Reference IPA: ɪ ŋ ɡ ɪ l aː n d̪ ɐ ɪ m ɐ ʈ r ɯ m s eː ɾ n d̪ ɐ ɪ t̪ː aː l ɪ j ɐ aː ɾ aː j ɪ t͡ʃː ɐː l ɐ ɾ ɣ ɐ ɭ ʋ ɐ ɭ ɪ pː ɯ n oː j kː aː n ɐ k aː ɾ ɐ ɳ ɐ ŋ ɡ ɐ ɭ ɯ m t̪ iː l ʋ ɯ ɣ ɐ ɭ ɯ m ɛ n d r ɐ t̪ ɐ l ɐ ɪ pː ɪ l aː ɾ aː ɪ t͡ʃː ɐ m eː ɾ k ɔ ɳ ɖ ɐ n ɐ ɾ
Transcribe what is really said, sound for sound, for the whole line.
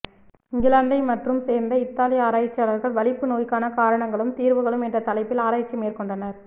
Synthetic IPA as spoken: ɪ ŋ ɡ ɪ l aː n d̪ ɐ ɪ m ɐ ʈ r ɯ m s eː ɾ n d̪ ɐ ɪ t̪ː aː l ɪ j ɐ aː ɾ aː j ɪ t͡ʃː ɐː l ɐ ɾ ɣ ɐ ɭ ʋ ɐ ɭ ɪ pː ɯ n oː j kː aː n ɐ k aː ɾ ɐ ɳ ɐ ŋ ɡ ɐ ɭ ɯ m t̪ iː ɾ ʋ ɯ ɣ ɐ ɭ ɯ m ɛ n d r ɐ t̪ ɐ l ɐ ɪ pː ɪ l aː ɾ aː ɪ t͡ʃː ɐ m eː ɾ k ɔ ɳ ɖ ɐ n ɐ ɾ